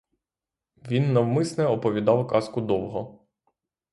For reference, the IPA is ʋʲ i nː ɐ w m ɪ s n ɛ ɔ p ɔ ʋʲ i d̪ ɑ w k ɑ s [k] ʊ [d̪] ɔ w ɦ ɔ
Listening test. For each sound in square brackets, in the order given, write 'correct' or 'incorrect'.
correct, correct

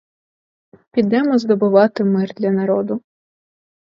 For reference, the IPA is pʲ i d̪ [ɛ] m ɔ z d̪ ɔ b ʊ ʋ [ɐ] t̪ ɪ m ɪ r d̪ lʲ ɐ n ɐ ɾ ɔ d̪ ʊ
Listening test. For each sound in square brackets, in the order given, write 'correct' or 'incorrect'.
correct, incorrect

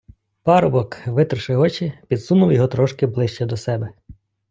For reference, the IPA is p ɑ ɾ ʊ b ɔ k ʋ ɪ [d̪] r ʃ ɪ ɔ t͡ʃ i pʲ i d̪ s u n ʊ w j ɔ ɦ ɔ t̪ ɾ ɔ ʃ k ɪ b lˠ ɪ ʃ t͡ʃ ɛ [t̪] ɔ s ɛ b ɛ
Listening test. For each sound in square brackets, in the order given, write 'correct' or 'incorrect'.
incorrect, incorrect

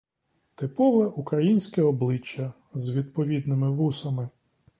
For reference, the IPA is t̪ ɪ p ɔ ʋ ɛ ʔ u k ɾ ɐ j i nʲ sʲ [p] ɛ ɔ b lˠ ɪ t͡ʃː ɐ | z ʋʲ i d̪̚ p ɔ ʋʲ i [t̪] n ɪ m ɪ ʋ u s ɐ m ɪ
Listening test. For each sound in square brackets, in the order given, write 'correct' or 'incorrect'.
incorrect, incorrect

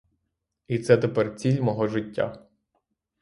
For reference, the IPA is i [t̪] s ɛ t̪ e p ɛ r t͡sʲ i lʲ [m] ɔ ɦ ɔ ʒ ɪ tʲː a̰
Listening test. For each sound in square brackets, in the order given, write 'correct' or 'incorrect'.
correct, correct

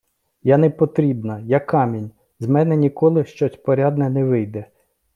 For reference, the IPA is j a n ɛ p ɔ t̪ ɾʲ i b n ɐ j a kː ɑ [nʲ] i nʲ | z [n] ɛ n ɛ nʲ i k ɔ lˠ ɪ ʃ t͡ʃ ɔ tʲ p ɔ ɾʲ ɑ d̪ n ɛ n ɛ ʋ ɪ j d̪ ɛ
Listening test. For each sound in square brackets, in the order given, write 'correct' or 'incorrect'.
incorrect, incorrect

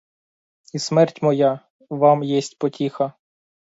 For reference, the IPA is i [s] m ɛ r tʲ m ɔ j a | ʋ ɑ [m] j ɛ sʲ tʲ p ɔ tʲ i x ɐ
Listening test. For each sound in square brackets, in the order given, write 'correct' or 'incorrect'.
correct, correct

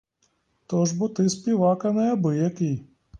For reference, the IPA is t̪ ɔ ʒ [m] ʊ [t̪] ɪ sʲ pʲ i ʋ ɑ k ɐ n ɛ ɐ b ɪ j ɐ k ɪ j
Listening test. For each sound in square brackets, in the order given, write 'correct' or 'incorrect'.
incorrect, correct

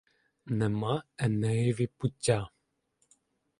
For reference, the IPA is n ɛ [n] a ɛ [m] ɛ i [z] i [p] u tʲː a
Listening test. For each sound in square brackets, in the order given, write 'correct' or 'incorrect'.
incorrect, incorrect, incorrect, correct

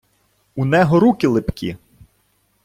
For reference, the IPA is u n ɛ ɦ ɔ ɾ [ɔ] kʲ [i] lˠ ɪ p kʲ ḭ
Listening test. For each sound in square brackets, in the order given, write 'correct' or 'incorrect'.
incorrect, incorrect

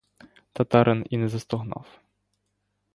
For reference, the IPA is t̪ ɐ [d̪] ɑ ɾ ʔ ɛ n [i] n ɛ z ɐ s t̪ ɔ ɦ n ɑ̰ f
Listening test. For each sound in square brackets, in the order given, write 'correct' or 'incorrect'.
incorrect, correct

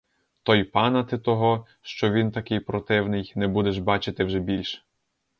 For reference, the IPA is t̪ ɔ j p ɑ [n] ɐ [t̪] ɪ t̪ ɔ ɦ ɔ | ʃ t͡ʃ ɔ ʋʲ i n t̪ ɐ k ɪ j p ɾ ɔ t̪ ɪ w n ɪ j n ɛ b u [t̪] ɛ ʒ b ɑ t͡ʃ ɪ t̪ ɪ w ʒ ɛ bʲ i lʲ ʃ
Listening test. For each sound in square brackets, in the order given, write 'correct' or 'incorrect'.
correct, correct, incorrect

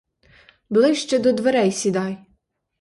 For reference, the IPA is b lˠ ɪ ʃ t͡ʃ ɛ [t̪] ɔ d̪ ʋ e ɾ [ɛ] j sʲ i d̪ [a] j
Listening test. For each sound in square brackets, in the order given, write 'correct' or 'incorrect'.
incorrect, correct, incorrect

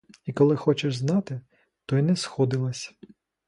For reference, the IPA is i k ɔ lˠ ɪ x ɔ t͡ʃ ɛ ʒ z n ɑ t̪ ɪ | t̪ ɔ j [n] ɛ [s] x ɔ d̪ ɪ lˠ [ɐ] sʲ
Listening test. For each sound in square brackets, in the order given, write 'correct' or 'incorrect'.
correct, correct, correct

